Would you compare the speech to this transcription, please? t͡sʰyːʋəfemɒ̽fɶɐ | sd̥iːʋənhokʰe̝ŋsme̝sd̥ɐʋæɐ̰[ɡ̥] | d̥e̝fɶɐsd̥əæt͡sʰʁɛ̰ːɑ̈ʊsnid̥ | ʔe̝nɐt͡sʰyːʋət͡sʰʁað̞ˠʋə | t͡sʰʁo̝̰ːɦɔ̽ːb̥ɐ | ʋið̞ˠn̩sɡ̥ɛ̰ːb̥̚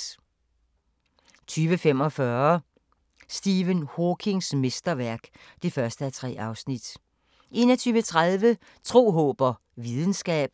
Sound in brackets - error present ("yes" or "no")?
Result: no